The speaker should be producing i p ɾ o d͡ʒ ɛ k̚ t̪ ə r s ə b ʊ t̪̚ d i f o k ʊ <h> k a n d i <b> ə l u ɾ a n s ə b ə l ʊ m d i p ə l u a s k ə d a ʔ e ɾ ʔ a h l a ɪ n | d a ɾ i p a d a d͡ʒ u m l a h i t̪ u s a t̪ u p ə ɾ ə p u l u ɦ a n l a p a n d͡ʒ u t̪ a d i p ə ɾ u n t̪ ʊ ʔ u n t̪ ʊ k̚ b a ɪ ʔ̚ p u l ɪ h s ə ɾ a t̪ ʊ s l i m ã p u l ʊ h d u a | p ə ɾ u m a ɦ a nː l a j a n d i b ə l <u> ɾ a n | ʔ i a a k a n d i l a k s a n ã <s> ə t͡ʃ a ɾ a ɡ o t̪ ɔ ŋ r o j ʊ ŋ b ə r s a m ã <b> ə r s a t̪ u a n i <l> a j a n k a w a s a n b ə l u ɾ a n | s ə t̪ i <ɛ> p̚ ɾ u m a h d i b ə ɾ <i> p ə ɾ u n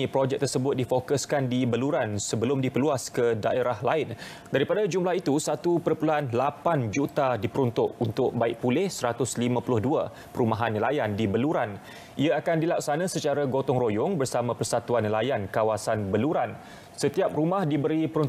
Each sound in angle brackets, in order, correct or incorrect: incorrect, correct, correct, correct, incorrect, correct, incorrect, correct

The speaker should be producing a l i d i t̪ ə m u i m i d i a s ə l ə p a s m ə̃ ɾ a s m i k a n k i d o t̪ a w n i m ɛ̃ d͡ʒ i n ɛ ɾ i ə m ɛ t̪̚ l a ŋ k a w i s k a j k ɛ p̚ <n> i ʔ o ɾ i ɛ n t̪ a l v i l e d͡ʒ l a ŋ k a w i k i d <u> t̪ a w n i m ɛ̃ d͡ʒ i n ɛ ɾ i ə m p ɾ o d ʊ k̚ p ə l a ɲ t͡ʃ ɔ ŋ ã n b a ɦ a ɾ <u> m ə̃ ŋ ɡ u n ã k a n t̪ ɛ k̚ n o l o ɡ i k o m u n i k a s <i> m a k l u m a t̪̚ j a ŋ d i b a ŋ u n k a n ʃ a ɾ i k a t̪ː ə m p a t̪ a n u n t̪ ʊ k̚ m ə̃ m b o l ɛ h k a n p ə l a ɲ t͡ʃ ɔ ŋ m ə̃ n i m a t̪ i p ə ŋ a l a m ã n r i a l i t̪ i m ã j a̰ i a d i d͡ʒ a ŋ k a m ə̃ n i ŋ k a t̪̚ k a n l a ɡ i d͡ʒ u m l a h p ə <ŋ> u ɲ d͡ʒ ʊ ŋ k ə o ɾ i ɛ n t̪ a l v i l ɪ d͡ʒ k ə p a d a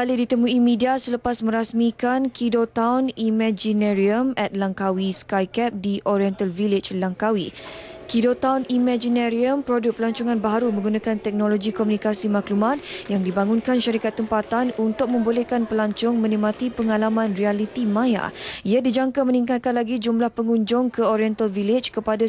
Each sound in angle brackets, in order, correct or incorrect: incorrect, incorrect, correct, correct, correct

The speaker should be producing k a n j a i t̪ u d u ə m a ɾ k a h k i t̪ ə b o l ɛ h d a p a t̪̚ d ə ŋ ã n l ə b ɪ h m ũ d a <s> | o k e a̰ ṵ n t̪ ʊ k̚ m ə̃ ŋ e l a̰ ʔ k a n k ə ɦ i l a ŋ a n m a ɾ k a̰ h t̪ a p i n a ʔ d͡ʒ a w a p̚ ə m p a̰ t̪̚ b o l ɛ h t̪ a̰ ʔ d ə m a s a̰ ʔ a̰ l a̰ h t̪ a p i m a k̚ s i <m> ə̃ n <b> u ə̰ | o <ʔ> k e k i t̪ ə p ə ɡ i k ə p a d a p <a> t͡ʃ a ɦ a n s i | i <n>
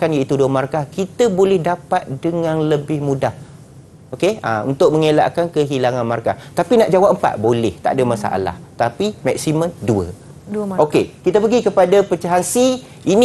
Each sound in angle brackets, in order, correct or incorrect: incorrect, correct, incorrect, incorrect, incorrect, correct

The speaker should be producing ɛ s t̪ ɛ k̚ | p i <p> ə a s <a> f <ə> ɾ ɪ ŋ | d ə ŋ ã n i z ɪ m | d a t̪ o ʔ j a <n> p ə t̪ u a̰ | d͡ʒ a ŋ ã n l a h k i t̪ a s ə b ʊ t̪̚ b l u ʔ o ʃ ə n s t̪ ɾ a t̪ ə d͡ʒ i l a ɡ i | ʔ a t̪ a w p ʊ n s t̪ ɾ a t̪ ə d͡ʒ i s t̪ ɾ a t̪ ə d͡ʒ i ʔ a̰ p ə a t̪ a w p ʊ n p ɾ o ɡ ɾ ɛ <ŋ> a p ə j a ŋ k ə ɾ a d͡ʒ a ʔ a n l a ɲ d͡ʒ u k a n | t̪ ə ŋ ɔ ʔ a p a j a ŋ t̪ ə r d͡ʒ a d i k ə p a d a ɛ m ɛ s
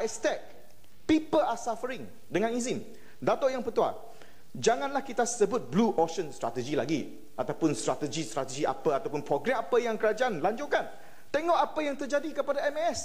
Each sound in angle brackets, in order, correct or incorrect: correct, correct, correct, incorrect, incorrect

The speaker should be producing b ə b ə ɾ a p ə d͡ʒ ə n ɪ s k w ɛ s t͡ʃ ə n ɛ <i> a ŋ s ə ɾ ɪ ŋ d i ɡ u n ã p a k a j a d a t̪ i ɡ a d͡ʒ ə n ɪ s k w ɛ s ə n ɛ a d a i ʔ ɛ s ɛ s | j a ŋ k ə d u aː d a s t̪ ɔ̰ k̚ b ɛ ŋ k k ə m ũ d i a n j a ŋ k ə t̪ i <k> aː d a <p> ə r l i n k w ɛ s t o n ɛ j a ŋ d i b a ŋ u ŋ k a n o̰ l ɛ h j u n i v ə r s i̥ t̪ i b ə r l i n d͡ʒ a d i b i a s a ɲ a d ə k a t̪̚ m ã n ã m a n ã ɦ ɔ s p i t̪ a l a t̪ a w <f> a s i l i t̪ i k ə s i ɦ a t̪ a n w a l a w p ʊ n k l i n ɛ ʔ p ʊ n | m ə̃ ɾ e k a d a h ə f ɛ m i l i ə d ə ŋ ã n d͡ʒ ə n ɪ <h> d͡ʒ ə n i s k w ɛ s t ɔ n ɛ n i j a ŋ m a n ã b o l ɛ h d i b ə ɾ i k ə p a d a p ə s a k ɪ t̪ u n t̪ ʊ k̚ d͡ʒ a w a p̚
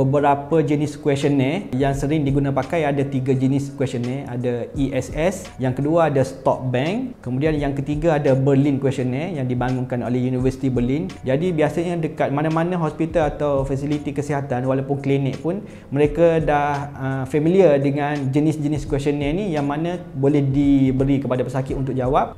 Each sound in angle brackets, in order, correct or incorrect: incorrect, incorrect, incorrect, correct, incorrect

